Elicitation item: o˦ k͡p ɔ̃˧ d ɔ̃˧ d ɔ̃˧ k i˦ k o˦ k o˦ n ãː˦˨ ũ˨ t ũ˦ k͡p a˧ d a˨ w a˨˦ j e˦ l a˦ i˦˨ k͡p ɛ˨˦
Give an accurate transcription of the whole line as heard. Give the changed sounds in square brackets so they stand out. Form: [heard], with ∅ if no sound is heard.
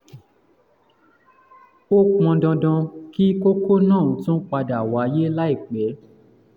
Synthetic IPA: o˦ k͡p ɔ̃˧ d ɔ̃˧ d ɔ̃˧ k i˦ k o˦ k o˦ n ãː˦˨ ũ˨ t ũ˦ k͡p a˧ d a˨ w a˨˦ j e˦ l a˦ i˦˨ k͡p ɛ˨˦